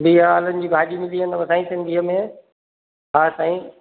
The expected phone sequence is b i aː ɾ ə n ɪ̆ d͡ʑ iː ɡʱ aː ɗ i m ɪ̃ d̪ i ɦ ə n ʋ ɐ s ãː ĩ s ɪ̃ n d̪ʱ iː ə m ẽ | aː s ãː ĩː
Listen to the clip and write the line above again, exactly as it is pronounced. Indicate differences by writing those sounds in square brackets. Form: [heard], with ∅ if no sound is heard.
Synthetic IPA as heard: b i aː [l] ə n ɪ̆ d͡ʑ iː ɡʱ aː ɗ i m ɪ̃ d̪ i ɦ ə n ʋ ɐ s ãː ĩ s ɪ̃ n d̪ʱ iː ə m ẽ | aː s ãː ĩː